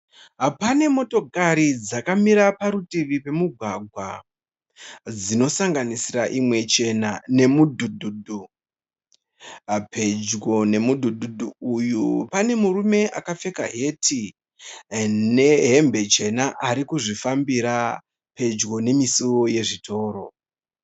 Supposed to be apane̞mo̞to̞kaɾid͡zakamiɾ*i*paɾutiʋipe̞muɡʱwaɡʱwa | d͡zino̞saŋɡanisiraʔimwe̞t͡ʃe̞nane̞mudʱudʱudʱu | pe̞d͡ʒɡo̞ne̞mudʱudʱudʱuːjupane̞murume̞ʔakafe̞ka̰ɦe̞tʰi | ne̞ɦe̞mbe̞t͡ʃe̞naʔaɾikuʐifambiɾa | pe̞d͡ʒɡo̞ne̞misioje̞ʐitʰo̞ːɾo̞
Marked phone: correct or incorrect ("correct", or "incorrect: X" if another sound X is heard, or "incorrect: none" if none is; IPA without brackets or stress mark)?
incorrect: a